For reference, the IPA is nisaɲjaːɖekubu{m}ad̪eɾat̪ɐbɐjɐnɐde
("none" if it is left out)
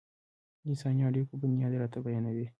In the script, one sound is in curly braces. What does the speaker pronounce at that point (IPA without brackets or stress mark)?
n